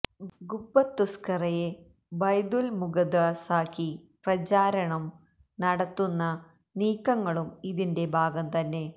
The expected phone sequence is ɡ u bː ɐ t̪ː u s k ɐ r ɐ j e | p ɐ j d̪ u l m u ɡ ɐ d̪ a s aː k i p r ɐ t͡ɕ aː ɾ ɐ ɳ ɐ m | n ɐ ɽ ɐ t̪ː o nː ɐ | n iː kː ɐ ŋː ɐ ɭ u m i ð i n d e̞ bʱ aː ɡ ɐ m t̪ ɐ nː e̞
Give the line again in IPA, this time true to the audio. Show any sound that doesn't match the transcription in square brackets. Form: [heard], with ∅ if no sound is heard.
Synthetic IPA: ɡ u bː ɐ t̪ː u s k ɐ r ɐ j e | [b] ɐ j d̪ u l m u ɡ ɐ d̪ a s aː k i p r ɐ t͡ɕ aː ɾ ɐ ɳ ɐ m | n ɐ ɽ ɐ t̪ː [u] nː ɐ | n iː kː ɐ ŋː ɐ ɭ u m i ð i n d e̞ bʱ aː ɡ ɐ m t̪ ɐ nː e̞

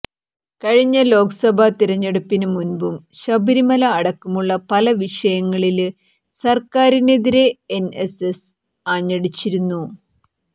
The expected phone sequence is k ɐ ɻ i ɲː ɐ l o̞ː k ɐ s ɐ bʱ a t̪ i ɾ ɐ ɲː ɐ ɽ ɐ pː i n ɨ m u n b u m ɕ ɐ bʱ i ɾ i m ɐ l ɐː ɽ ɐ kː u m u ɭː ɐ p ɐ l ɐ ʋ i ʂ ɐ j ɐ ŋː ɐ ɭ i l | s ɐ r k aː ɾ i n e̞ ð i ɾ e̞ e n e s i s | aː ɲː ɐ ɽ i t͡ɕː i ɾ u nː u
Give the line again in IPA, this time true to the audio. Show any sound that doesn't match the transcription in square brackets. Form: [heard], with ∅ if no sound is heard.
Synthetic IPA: k ɐ ɻ i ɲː ɐ l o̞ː k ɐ s ɐ bʱ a t̪ i ɾ ɐ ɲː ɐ ɽ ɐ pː i n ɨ m u n b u m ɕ ɐ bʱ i ɾ i m ɐ l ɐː ɽ ɐ kː u m u ɭː ɐ p ɐ l ɐ ʋ i ʂ ɐ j ɐ ŋː ɐ ɭ i l | s ɐ r k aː ɾ i n e̞ ð i ɾ e̞ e n e s [e] s | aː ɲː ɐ ɽ i t͡ɕː i ɾ u nː u

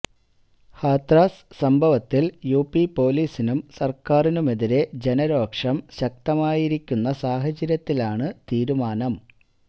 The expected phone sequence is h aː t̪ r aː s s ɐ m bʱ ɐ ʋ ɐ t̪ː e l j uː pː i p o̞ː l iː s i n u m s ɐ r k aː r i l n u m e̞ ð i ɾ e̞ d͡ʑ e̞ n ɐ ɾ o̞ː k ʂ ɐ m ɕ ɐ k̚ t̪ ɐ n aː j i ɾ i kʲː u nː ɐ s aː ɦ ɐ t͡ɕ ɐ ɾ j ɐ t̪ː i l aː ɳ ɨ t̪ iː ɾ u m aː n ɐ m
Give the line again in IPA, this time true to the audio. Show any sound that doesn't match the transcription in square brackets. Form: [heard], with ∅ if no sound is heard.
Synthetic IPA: h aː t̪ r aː s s ɐ m bʱ ɐ ʋ ɐ t̪ː [i] l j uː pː i p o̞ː l iː s i n u m s ɐ r k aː r i [∅] n u m e̞ ð i ɾ e̞ d͡ʑ e̞ n ɐ ɾ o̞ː k ʂ ɐ m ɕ ɐ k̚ t̪ ɐ [m] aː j i ɾ i kʲː u nː ɐ s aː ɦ ɐ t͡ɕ ɐ ɾ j ɐ t̪ː i l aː ɳ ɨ t̪ iː ɾ u m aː n ɐ m

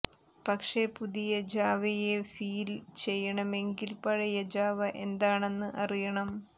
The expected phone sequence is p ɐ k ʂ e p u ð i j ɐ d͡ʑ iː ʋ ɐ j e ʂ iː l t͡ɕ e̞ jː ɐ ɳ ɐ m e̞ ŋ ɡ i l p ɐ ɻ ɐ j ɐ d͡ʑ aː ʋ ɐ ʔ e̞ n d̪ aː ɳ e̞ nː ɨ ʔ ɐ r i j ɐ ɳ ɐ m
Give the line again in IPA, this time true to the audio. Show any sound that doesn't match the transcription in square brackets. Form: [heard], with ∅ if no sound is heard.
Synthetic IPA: p ɐ k ʂ e p u ð i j ɐ d͡ʑ [aː] ʋ ɐ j e [f] iː l t͡ɕ e̞ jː ɐ ɳ ɐ m e̞ ŋ ɡ i l p ɐ ɻ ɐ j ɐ d͡ʑ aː ʋ ɐ ʔ e̞ n d̪ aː ɳ e̞ nː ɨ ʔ ɐ r i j ɐ ɳ ɐ m

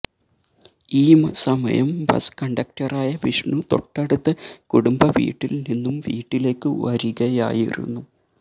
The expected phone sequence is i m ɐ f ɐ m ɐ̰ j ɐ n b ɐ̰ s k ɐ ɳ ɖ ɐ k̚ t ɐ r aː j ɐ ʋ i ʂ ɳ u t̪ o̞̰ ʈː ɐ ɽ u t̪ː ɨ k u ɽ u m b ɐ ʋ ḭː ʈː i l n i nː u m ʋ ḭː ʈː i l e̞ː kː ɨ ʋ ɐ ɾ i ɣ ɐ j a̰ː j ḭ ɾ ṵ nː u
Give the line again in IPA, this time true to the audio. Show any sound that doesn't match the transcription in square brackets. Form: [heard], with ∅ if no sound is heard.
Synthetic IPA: [iː] m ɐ [s] ɐ m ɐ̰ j ɐ [m] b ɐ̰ s k ɐ ɳ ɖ ɐ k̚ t ɐ r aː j ɐ ʋ i ʂ ɳ u t̪ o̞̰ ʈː ɐ ɽ u t̪ː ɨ k u ɽ u m b ɐ ʋ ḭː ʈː i l n i nː u m ʋ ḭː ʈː i l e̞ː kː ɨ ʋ ɐ ɾ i ɣ ɐ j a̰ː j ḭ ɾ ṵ nː u

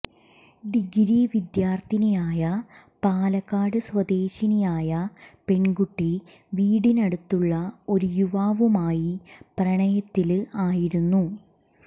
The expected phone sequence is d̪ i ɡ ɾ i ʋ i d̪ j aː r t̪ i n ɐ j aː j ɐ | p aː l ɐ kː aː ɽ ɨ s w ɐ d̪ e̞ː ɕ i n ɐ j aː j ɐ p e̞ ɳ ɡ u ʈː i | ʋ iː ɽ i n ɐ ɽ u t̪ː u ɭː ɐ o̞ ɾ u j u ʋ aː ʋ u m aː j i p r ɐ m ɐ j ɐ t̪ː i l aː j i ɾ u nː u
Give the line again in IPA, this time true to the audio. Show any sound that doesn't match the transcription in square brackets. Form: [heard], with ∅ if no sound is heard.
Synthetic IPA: d̪ i ɡ ɾ i ʋ i d̪ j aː r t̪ i n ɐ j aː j ɐ | p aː l ɐ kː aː ɽ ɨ s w ɐ d̪ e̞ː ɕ i n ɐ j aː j ɐ p e̞ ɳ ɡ u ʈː i | ʋ iː ɽ i n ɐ ɽ u t̪ː u ɭː ɐ o̞ ɾ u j u ʋ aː ʋ u m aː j i p r ɐ [ɳ] ɐ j ɐ t̪ː i l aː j i ɾ u nː u

